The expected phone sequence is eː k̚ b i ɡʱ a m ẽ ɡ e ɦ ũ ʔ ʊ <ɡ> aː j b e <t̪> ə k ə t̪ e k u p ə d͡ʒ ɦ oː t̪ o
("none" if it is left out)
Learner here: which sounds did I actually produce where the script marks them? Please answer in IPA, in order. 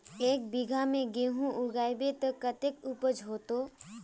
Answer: ɡ, t̪

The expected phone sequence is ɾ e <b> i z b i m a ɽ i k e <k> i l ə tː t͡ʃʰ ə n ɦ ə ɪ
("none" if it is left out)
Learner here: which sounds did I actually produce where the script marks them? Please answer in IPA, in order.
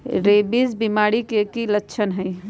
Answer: b, k

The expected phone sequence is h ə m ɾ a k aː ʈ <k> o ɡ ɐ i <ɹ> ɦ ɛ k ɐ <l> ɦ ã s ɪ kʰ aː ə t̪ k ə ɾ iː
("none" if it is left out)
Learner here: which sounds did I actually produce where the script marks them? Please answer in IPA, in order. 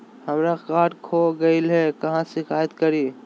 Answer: kʰ, l, none

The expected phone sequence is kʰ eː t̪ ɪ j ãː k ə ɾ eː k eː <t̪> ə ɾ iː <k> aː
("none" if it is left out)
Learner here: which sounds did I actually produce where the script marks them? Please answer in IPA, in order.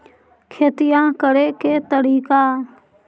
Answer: t̪, k

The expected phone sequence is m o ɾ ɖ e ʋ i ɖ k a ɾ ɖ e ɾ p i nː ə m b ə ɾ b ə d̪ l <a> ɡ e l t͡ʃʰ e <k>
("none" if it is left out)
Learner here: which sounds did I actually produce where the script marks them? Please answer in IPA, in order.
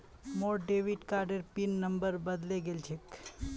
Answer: e, k

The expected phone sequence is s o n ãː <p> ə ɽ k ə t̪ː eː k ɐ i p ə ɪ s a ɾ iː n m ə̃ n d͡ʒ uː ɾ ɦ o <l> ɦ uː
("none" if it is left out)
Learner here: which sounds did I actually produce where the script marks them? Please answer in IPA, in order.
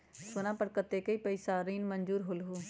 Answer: p, l

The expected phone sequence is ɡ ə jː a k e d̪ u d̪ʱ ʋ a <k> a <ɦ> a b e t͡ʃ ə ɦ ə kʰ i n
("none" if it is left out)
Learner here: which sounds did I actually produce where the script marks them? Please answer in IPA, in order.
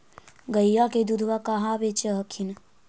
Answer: k, ɦ

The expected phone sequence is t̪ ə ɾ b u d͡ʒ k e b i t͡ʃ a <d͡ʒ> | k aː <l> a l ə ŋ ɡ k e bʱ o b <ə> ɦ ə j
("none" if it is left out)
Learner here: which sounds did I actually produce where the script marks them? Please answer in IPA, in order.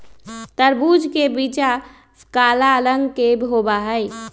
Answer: none, l, a

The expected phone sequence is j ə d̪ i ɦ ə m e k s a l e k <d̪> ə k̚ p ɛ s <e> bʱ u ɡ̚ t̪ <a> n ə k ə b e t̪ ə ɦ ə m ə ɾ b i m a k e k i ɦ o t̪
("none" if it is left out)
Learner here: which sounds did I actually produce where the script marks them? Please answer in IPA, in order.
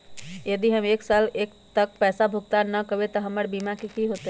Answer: t̪, a, a

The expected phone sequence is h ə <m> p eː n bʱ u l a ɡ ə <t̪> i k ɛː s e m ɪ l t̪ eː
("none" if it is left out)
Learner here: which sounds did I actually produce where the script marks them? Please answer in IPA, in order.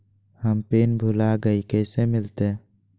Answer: m, none

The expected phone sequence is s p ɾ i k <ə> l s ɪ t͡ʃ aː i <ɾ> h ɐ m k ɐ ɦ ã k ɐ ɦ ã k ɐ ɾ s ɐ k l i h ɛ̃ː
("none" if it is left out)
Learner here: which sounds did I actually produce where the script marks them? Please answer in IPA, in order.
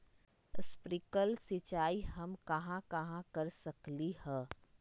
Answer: ə, none

